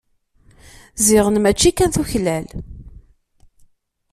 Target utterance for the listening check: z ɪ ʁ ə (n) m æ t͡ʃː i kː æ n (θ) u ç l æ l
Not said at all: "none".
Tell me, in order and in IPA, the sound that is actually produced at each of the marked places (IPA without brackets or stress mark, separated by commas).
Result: n, θ